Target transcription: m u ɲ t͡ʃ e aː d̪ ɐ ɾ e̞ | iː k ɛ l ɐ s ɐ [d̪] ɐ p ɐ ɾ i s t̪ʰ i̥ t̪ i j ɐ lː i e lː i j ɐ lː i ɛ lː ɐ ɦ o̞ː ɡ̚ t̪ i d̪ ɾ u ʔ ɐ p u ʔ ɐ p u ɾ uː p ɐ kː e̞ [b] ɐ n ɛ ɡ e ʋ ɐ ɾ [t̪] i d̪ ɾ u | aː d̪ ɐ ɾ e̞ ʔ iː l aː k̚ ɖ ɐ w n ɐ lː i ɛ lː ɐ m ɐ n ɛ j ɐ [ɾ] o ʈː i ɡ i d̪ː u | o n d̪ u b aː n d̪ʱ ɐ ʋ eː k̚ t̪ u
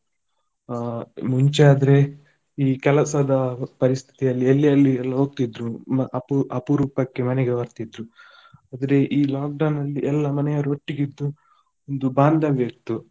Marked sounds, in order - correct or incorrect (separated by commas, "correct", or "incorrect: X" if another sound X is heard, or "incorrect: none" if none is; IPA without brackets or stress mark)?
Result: correct, incorrect: m, correct, correct